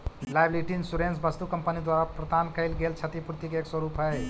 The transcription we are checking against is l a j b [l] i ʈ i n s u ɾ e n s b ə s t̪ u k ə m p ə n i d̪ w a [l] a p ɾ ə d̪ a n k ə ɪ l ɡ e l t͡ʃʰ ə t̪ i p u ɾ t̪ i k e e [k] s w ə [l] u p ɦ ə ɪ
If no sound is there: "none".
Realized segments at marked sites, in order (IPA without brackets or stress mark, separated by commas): l, ɾ, k, ɾ